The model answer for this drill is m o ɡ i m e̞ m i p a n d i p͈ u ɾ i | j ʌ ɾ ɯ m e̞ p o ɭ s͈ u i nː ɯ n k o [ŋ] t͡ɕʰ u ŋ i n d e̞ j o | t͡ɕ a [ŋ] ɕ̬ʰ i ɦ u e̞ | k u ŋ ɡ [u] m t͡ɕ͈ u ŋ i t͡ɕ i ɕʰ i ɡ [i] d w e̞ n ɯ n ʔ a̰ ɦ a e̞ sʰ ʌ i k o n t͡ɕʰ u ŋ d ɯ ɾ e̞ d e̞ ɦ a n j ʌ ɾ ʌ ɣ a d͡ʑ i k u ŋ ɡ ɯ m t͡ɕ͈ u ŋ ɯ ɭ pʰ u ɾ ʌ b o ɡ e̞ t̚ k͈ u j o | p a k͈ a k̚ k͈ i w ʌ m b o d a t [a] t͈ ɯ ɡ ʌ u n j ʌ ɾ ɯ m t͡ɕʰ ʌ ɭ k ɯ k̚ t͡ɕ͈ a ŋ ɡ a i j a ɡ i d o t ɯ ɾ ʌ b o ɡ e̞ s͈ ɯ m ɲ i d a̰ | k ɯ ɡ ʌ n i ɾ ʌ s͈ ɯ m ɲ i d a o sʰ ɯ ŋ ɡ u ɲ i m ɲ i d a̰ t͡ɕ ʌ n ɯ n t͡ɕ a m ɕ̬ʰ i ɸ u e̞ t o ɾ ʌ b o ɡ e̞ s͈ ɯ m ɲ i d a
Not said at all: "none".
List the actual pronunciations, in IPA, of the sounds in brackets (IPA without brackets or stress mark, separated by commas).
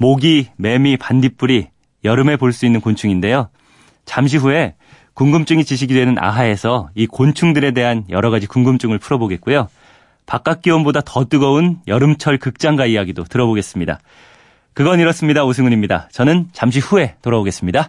n, m, ɯ, i, ʌ